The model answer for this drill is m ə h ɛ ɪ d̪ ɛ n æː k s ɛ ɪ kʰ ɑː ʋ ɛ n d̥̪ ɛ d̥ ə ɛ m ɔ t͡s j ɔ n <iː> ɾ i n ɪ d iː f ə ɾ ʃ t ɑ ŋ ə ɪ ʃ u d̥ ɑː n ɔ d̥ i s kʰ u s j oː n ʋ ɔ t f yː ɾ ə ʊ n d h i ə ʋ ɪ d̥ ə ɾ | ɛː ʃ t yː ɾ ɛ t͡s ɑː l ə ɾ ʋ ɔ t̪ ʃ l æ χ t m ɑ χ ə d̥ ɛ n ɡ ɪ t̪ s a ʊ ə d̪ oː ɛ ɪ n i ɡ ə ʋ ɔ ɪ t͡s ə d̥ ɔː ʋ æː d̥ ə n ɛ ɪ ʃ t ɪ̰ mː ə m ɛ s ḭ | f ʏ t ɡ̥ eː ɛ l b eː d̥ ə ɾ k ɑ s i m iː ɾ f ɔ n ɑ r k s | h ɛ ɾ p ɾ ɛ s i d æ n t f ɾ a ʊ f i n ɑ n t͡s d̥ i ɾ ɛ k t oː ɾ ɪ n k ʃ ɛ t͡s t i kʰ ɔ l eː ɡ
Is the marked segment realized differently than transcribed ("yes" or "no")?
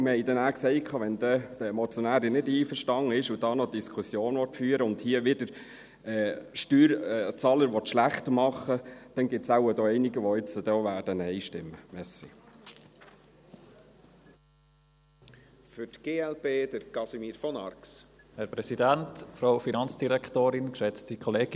yes